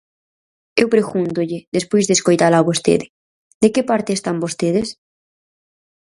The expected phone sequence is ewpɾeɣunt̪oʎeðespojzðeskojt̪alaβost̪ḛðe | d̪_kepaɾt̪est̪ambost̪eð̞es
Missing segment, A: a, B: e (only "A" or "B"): B